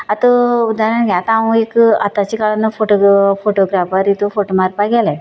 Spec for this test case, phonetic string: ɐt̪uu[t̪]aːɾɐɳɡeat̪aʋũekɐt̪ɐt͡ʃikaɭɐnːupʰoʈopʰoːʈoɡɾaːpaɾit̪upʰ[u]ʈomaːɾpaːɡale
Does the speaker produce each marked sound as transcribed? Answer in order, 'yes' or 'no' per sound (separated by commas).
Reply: no, no